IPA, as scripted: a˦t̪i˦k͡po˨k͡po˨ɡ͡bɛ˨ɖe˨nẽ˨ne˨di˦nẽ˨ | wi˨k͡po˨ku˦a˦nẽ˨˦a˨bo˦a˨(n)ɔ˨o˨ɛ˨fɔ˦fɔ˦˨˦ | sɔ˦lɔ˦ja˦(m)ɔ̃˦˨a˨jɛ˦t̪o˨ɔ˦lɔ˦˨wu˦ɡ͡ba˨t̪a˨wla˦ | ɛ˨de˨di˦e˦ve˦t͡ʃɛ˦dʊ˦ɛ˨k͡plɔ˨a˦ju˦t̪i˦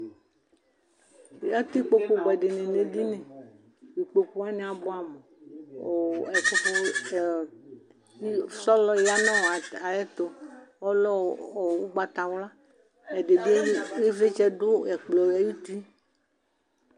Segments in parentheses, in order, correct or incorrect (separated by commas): incorrect, incorrect